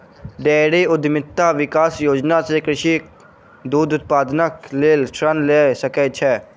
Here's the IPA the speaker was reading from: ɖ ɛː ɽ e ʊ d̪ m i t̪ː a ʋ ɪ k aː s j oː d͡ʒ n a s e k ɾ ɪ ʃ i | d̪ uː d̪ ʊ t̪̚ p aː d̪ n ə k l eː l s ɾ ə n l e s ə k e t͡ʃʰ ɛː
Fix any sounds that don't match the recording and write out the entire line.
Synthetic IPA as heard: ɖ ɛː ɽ e ʊ d̪ m ɪ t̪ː a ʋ ɪ k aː s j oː d͡ʒ n a s e k ɾ ɪ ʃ i | d̪ uː d̪ ʊ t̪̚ p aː d̪ n ə k l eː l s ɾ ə n l e s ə k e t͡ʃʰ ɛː